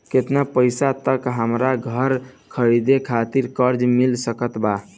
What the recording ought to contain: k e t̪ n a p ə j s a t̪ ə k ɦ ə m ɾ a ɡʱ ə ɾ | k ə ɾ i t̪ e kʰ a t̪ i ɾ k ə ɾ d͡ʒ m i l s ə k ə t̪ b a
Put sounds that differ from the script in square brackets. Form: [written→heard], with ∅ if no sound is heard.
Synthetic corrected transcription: k e t̪ n a p ə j s a t̪ ə k ɦ ə m ɾ a ɡʱ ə ɾ | [k→kʰ] ə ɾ i [t̪→d̪] e kʰ a t̪ i ɾ k ə ɾ d͡ʒ m i l s ə k ə t̪ b a

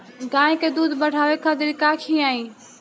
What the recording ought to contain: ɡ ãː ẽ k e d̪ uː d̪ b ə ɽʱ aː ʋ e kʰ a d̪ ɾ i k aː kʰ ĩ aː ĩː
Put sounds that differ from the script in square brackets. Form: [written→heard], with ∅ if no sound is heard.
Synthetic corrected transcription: ɡ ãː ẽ k e d̪ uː d̪ b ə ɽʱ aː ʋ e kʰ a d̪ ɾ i k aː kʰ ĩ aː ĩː

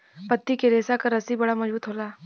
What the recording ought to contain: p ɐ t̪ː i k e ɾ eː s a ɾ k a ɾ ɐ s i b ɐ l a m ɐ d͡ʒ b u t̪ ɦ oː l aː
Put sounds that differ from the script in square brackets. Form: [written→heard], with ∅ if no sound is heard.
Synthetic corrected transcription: p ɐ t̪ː i k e ɾ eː s a [ɾ→∅] k a ɾ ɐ s i b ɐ [l→ɽ] a m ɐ d͡ʒ b [u→uː] t̪ ɦ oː l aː

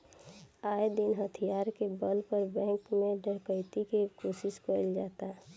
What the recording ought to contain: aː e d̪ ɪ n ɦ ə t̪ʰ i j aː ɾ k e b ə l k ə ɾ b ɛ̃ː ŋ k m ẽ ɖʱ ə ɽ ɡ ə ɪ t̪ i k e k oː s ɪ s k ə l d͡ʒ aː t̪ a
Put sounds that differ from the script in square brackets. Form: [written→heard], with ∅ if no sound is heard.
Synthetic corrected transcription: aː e d̪ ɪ n ɦ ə t̪ʰ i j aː ɾ k e b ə l [k→p] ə ɾ b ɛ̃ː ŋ k m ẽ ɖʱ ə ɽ [ɡ→k] ə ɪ t̪ i k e k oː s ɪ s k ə l d͡ʒ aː t̪ a

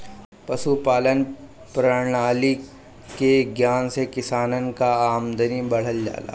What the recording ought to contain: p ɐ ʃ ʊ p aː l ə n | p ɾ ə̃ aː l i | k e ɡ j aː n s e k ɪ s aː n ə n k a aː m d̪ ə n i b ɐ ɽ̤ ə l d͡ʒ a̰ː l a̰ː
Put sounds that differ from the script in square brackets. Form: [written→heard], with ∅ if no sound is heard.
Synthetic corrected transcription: p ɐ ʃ [ʊ→u] p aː l ə n | p ɾ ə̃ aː l i | k e ɡ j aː n s e k ɪ s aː n ə n k a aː m d̪ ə n i b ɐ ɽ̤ ə l d͡ʒ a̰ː l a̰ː

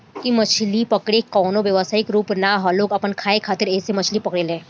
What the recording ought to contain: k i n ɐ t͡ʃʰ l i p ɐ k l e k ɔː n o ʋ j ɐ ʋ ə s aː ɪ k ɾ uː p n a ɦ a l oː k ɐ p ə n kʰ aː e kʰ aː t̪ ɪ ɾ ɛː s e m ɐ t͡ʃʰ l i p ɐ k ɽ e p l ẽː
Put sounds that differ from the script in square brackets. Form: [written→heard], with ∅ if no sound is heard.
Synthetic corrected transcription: k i [n→m] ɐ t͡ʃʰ l i p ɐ k [l→ɽ] e k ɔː n o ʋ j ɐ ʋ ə s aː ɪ k ɾ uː p n a ɦ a l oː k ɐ p ə n kʰ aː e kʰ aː t̪ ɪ ɾ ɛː s e m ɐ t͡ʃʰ l i p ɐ k ɽ e [p→∅] l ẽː

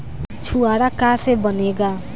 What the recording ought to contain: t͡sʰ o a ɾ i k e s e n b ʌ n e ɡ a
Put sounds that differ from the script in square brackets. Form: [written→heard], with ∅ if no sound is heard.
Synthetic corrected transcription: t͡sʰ [o→u] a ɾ [i→a] k [e→a] s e [n→∅] b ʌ n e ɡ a

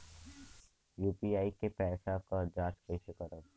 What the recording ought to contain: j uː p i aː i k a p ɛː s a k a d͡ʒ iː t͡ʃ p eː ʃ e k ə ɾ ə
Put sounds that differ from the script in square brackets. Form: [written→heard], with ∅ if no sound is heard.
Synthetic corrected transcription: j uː p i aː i k [a→e] p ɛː s a k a d͡ʒ [iː→aː] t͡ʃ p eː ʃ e k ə ɾ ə

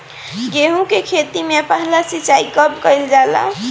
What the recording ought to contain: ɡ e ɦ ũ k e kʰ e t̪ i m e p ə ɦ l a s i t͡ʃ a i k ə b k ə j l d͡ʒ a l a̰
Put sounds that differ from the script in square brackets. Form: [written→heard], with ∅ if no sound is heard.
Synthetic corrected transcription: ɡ e ɦ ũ k e kʰ e t̪ i m e p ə ɦ l a s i t͡ʃ a i k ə b k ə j l d͡ʒ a l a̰

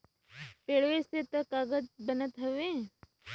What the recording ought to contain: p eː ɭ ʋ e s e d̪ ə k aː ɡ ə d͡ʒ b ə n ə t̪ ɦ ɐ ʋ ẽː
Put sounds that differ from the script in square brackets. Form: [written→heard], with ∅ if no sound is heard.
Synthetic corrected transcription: p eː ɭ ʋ e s e [d̪→t̪] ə k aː ɡ ə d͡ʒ b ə n ə t̪ ɦ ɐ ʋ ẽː

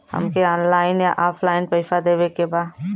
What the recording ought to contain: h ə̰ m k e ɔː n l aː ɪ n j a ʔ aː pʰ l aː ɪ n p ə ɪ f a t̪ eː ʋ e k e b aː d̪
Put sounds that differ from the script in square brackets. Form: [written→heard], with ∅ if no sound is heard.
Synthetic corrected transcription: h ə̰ m k e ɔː n l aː ɪ n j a ʔ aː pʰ l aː ɪ n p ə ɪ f a [t̪→d̪] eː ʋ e k e b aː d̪

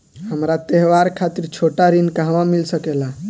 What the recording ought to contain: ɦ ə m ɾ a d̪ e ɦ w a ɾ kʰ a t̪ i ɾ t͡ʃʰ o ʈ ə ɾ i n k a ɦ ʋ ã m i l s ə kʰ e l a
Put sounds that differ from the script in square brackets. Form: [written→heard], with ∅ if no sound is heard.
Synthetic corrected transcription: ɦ ə m ɾ a [d̪→t̪] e ɦ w a ɾ kʰ a t̪ i ɾ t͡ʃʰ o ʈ [ə→a] ɾ i n k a ɦ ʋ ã m i l s ə [kʰ→k] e l a

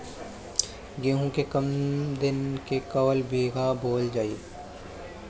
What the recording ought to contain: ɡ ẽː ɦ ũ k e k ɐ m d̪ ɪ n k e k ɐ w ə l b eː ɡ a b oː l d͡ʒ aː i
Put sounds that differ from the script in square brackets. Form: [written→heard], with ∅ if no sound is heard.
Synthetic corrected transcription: ɡ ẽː ɦ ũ k e k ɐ m d̪ ɪ n k e k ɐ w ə l b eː ɡ a b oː l d͡ʒ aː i

